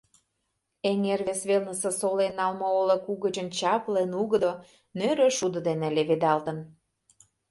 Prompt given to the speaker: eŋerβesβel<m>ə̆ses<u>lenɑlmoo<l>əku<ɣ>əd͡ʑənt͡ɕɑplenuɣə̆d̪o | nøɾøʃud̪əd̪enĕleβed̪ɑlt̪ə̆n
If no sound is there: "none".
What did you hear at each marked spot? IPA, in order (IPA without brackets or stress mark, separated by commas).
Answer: n, o, l, ɣ